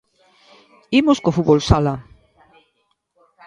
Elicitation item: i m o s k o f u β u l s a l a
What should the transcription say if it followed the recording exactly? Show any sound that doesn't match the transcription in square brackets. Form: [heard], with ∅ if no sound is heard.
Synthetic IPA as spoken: i m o s k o f u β [o] l s a l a